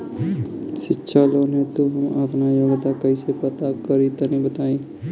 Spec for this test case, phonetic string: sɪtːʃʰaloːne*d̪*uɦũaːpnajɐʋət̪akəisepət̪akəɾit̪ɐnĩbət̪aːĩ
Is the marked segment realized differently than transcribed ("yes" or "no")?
yes